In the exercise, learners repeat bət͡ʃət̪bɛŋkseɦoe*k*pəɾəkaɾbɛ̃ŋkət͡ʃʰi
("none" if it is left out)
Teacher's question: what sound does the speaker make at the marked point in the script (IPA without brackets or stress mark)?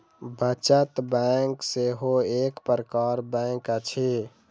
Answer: k